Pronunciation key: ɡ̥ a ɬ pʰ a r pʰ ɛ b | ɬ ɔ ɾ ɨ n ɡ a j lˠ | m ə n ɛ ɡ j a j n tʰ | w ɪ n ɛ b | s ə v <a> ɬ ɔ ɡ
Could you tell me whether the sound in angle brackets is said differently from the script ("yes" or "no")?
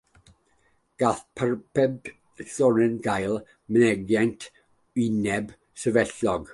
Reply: yes